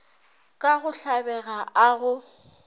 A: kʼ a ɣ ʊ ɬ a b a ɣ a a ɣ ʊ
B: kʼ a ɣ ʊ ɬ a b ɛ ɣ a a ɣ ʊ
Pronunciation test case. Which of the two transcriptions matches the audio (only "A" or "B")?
B